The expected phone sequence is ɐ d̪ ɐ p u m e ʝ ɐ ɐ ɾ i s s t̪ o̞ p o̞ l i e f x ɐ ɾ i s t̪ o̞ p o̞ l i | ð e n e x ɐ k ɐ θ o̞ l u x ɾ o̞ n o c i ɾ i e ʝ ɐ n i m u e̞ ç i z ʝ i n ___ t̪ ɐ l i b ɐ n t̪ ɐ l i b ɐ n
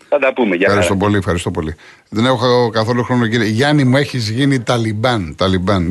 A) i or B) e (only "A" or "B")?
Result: A